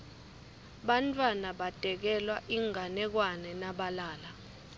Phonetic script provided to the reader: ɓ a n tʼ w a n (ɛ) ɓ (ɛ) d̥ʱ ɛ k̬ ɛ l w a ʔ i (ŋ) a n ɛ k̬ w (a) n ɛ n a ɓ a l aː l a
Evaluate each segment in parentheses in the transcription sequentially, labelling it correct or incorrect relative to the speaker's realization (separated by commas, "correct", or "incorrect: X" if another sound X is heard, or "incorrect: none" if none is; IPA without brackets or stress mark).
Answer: incorrect: a, incorrect: a, correct, correct